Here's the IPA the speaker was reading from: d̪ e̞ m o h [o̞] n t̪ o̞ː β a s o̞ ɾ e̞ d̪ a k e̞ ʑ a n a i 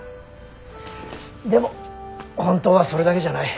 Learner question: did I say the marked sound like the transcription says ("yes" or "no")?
no